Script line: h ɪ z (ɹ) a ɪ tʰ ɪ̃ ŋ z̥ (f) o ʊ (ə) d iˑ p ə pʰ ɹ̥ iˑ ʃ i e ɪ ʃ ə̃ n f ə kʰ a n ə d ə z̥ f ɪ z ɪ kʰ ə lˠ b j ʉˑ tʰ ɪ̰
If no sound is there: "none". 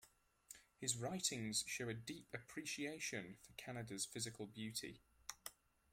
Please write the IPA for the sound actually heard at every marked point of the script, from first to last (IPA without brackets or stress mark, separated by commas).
ɹ, ʃ, ə